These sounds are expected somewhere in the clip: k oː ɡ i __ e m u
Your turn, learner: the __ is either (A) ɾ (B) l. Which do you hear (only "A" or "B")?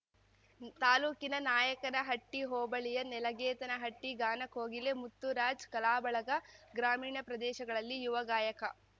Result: B